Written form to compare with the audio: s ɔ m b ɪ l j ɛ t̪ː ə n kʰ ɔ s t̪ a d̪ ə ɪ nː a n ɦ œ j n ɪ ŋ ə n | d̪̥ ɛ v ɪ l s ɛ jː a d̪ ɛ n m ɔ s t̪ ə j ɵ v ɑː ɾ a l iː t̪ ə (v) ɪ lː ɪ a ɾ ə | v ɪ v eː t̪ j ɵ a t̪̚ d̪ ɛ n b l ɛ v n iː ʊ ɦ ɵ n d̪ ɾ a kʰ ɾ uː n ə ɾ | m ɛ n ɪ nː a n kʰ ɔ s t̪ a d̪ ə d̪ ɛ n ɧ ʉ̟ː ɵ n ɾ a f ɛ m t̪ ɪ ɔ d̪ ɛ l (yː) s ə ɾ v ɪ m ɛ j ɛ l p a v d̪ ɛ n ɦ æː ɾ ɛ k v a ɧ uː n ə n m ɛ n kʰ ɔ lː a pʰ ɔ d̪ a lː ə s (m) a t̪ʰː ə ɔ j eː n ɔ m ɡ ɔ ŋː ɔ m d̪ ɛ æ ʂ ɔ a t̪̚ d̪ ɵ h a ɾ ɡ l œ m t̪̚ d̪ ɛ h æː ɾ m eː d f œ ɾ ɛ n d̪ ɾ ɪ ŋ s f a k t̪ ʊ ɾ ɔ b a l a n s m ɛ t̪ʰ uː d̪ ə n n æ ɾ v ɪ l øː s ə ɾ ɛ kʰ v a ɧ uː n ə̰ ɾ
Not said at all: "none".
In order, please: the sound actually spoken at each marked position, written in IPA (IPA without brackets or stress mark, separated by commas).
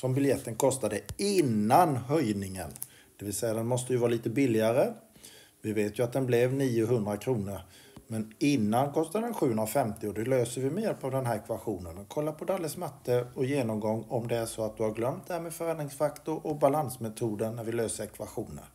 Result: b, øː, m